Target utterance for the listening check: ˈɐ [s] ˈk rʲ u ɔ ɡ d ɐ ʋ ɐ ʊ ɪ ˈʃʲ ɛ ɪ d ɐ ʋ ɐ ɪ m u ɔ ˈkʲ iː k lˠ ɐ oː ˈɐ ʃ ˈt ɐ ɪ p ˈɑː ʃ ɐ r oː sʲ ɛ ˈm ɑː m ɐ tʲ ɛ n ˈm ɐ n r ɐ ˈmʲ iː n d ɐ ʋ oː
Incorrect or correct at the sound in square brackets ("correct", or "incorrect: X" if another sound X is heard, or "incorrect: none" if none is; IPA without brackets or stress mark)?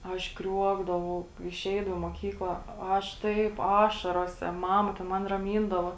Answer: incorrect: ʃ